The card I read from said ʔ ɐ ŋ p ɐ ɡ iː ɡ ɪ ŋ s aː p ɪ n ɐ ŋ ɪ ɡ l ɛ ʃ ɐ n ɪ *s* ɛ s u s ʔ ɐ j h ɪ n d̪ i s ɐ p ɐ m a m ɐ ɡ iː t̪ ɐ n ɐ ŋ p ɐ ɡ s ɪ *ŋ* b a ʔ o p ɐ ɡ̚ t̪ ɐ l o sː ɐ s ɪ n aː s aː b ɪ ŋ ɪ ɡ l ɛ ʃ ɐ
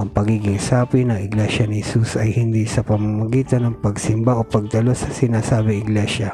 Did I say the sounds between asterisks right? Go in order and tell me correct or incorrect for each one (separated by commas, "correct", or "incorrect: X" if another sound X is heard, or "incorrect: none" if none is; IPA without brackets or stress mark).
incorrect: h, incorrect: m